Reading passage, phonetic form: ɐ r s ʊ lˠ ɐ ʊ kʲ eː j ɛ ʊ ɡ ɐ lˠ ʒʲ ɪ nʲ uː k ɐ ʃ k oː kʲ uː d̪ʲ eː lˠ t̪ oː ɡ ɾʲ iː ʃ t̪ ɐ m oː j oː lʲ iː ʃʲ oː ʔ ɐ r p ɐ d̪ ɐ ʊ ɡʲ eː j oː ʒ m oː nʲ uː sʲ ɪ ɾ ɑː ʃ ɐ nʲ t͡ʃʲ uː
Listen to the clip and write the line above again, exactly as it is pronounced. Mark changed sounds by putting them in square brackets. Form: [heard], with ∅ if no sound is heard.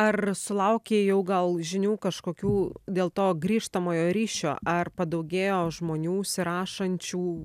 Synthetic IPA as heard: ɐ r s ʊ lˠ ɐ ʊ kʲ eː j ɛ ʊ ɡ ɐ lˠ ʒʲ ɪ nʲ uː k ɐ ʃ k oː kʲ uː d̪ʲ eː lˠ t̪ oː ɡ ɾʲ iː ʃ t̪ ɐ m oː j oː [ɾʲ] iː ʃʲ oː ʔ ɐ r p ɐ d̪ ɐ ʊ ɡʲ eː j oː ʒ m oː nʲ uː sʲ ɪ ɾ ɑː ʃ ɐ nʲ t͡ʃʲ uː